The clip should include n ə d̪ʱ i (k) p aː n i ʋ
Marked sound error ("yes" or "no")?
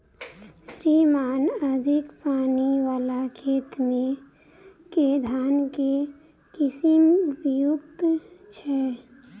no